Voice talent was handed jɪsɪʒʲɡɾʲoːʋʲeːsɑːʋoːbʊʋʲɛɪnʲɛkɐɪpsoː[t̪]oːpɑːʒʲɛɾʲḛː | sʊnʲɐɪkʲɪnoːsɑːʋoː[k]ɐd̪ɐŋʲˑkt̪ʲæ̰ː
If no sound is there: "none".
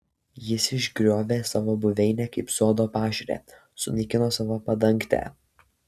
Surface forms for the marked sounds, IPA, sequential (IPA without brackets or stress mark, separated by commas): d̪, p